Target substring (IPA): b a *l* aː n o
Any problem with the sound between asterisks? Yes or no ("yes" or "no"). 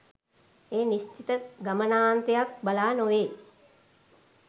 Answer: no